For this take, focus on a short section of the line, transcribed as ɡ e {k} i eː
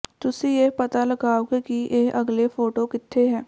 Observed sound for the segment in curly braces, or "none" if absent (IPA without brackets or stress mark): k